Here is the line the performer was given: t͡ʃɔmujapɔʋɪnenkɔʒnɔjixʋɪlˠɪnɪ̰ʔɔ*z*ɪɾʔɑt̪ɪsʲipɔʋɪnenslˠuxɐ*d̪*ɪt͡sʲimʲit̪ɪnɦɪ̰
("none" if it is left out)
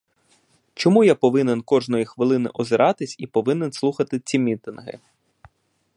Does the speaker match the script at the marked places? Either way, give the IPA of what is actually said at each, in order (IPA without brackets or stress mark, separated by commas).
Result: z, t̪